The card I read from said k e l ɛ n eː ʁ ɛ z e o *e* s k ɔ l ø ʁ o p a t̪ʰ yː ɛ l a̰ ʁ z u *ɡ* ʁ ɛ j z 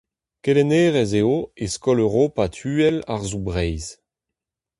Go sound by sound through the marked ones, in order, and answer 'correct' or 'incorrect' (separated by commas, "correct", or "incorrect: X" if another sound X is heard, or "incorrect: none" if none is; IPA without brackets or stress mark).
correct, incorrect: b